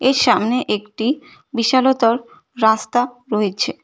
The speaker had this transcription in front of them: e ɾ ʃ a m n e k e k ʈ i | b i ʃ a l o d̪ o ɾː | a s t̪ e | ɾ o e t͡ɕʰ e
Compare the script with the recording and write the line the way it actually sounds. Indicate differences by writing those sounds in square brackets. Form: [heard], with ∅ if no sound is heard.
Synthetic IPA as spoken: e ɾ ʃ a m n e [ʔ] e k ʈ i | b i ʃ a l o [t̪] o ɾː | a s t̪ [a] | ɾ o e t͡ɕʰ e